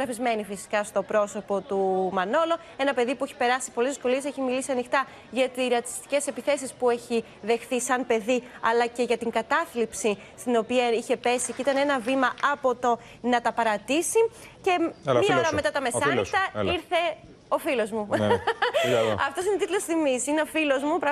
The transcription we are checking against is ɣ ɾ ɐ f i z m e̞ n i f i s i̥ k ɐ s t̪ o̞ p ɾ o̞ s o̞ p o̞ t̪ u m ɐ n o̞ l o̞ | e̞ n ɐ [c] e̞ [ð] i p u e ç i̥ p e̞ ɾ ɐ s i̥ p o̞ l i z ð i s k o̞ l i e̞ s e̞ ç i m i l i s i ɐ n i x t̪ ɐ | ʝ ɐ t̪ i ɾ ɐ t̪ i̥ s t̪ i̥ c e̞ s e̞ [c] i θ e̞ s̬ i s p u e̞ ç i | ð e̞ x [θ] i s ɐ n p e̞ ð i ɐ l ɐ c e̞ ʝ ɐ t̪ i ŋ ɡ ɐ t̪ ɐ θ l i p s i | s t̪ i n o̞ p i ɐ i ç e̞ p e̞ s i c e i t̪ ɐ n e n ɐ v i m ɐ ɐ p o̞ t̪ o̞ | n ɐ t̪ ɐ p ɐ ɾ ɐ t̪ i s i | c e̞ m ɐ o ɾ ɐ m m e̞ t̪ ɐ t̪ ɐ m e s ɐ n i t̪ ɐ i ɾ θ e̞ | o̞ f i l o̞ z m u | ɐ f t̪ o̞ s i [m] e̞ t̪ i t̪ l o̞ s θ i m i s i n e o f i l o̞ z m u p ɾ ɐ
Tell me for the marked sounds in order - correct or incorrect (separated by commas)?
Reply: incorrect, correct, incorrect, correct, incorrect